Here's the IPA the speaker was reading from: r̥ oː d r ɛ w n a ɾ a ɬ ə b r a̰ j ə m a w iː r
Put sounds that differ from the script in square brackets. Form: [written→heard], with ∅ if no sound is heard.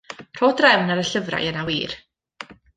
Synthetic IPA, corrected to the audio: r̥ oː d r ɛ w n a ɾ [a→ə] ɬ ə [b→v] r a̰ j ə [m→n] a w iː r